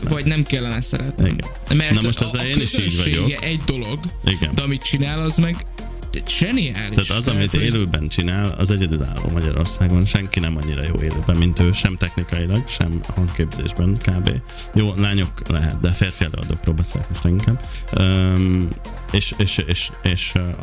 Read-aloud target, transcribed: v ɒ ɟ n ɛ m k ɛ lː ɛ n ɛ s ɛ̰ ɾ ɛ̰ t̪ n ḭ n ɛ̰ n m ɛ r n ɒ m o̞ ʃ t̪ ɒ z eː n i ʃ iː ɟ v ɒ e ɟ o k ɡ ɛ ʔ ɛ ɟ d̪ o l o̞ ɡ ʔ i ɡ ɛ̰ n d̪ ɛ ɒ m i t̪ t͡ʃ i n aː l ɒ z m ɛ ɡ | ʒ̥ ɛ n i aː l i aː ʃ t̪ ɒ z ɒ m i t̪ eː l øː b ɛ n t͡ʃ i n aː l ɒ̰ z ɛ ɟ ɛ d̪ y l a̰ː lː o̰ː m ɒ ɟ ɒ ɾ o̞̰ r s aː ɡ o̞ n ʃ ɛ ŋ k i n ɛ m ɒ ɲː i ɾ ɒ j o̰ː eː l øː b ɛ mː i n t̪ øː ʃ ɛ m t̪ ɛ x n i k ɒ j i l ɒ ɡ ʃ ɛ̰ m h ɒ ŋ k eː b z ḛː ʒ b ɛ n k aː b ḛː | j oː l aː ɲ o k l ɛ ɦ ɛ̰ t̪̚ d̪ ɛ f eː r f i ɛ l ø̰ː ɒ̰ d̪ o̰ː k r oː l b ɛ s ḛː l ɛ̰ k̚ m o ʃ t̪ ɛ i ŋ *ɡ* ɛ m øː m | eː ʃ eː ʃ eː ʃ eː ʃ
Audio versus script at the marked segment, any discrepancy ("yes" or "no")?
yes